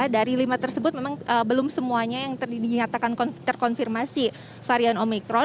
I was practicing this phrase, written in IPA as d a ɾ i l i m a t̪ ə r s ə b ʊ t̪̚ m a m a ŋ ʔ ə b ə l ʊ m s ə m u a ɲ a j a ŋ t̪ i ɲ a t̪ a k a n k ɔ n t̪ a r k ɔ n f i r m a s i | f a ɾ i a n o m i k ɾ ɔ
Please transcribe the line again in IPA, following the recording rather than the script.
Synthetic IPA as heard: d a ɾ i l i m a t̪ ə r s ə b ʊ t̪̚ m e m a ŋ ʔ ə b ə l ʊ m s ə m u a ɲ a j a ŋ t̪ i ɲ a t̪ a k a n k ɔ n t̪ ə r k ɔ n f i r m a s i | f a ɾ i a n o m i k ɾ ɔ